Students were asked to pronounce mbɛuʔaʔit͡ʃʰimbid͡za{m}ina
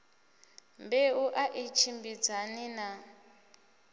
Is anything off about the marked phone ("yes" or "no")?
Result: yes